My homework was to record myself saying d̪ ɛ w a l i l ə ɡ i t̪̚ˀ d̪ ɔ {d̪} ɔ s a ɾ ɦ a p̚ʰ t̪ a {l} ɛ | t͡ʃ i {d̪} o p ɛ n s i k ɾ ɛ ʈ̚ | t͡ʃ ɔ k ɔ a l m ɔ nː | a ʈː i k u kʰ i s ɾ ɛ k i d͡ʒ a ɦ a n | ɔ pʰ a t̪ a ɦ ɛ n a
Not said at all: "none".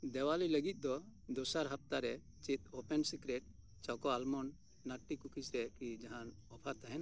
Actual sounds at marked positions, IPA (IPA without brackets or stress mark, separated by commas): d̪, ɾ, t̪